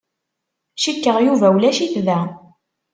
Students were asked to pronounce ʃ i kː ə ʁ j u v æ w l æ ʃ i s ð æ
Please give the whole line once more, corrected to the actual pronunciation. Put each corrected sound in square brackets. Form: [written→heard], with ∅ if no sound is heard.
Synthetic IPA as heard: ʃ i kː ə ʁ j u v æ w l æ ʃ i [s→θ] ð æ